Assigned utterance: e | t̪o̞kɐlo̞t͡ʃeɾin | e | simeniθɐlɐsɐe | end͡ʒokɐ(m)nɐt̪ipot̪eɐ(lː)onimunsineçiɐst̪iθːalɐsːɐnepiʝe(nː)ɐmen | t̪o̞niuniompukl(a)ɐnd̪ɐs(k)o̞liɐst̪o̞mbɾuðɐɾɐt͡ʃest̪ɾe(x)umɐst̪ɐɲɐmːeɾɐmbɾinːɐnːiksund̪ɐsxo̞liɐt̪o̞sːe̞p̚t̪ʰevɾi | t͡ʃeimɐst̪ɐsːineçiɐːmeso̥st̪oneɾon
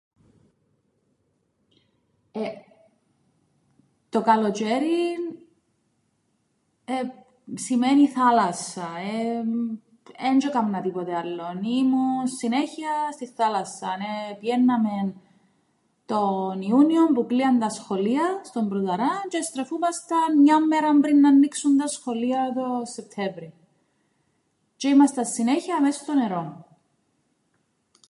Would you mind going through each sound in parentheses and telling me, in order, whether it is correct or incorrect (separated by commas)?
correct, correct, correct, incorrect, incorrect, incorrect